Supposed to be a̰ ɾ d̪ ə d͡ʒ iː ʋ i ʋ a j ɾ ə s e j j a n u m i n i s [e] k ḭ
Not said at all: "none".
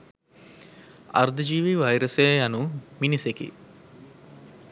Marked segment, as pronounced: e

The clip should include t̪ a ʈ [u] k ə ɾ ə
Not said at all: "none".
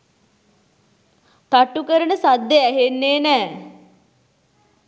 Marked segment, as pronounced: u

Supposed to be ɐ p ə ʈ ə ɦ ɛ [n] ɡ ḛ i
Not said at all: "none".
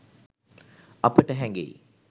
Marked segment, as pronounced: ŋ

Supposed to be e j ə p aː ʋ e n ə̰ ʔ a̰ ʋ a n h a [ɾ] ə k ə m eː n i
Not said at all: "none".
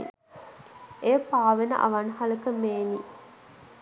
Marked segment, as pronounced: l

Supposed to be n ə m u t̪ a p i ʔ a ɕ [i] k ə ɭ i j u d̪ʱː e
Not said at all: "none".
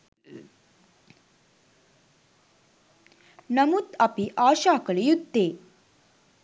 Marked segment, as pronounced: a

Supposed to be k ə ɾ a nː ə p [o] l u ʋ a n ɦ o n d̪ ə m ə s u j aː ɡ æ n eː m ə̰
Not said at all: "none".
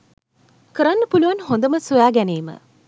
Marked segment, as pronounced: u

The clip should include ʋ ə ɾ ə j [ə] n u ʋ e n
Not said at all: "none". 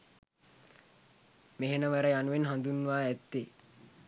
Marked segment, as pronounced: a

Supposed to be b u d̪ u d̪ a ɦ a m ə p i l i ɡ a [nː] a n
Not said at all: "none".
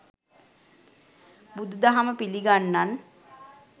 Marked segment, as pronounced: nː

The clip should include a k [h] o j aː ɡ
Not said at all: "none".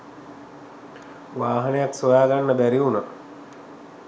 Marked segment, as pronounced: s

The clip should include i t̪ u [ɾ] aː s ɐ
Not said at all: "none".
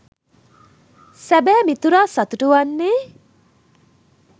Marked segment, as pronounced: ɾ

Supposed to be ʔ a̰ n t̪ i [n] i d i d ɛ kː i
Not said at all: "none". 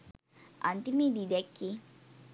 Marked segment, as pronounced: m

